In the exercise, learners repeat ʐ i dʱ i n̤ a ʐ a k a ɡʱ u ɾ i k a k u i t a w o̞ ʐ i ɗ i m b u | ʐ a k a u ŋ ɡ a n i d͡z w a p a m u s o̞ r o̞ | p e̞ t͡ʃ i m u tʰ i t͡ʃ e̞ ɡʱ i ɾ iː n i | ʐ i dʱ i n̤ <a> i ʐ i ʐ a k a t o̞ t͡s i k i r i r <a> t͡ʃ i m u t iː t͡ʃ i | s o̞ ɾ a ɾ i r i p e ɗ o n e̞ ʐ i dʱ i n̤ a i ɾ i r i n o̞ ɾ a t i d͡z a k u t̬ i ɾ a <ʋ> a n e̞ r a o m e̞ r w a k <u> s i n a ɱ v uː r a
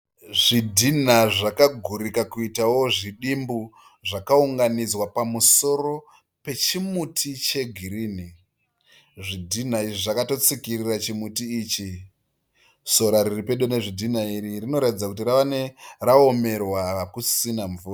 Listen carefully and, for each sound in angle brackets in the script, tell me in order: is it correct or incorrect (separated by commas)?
correct, correct, correct, correct